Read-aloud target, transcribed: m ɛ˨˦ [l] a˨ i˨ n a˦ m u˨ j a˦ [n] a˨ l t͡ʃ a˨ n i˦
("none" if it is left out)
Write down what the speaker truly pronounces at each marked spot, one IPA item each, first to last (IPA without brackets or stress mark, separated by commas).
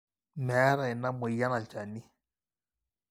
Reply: ɾ, n